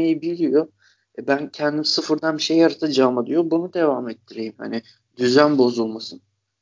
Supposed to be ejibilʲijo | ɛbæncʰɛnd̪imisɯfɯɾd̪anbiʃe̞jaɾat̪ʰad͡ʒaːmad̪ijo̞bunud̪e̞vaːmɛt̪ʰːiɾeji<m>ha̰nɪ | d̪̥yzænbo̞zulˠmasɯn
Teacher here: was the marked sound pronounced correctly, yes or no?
yes